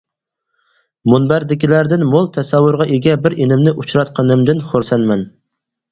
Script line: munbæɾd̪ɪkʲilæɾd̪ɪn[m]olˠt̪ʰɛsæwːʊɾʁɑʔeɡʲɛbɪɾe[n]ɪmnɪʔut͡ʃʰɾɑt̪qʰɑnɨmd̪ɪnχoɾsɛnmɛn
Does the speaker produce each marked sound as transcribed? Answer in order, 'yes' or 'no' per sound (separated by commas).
yes, yes